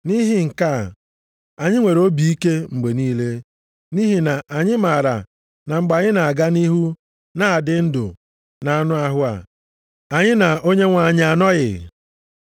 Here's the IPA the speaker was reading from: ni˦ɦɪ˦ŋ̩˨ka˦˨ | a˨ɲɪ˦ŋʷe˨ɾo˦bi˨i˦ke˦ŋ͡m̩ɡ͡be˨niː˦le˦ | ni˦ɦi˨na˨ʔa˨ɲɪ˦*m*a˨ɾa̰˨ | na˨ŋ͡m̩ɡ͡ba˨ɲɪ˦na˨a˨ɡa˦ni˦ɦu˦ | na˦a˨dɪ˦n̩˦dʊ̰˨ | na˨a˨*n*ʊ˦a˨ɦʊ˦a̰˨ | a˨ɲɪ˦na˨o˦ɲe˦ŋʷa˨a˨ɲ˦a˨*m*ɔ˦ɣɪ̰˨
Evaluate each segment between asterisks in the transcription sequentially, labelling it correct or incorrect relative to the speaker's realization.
correct, correct, incorrect: n

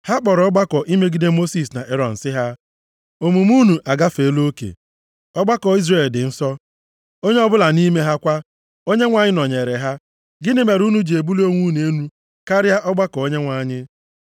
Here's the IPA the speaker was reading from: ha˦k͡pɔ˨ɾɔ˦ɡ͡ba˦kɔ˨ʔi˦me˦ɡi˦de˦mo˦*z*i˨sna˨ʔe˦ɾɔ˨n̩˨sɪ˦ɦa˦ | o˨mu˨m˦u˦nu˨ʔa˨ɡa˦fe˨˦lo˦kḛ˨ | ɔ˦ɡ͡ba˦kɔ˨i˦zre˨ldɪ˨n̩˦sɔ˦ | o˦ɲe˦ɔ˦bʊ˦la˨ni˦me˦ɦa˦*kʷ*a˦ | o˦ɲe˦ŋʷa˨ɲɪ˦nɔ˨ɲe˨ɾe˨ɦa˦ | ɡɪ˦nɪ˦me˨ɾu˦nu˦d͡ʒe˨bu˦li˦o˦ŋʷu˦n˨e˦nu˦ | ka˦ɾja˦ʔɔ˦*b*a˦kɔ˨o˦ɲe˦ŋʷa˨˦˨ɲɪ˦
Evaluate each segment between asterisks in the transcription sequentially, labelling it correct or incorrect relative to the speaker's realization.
incorrect: s, correct, incorrect: ɡ͡b

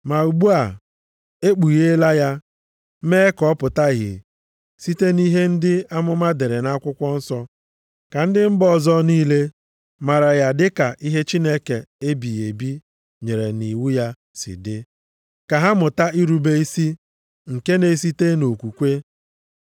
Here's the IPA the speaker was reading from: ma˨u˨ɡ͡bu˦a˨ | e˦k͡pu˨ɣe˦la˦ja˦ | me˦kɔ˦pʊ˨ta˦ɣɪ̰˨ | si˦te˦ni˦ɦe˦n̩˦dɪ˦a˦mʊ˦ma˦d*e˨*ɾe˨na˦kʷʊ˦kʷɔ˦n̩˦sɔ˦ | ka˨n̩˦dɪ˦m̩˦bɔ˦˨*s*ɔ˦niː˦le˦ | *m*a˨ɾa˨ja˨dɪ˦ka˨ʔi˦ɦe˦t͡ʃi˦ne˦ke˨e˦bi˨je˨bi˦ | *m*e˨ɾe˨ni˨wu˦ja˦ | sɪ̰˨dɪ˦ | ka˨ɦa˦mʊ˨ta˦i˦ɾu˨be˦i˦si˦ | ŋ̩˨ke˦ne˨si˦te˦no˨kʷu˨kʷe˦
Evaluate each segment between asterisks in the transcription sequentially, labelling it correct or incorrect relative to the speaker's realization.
correct, incorrect: z, correct, incorrect: ɲ

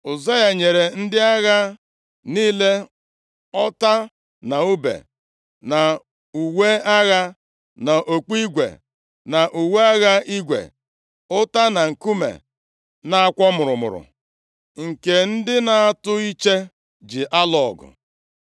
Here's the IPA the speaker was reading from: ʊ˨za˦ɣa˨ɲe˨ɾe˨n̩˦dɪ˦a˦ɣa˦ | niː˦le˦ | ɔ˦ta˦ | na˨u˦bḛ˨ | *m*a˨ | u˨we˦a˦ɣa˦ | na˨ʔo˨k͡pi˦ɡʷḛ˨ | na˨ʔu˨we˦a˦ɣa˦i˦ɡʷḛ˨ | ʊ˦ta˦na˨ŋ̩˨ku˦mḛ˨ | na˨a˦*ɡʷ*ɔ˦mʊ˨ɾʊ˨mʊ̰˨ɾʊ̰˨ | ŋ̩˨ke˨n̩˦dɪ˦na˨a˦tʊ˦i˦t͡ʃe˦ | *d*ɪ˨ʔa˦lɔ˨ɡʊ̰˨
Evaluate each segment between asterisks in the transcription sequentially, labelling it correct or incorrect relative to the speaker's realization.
incorrect: n, incorrect: kʷ, incorrect: d͡ʒ

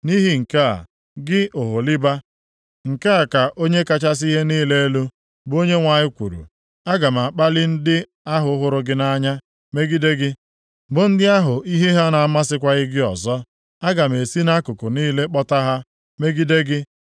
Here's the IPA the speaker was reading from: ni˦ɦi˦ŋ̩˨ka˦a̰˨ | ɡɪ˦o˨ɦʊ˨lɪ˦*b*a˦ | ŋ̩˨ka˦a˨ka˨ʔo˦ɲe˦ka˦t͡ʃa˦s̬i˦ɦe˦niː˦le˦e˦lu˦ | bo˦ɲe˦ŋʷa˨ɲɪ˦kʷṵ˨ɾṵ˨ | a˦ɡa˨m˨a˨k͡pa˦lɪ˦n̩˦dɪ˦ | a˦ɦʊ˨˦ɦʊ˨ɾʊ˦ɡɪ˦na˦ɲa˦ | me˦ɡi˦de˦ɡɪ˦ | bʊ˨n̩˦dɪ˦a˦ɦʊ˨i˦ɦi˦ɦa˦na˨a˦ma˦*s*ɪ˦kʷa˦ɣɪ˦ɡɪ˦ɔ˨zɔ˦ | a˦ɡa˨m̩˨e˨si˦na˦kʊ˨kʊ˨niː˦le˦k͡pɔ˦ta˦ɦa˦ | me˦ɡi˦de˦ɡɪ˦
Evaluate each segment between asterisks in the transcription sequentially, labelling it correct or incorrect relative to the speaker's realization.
correct, correct

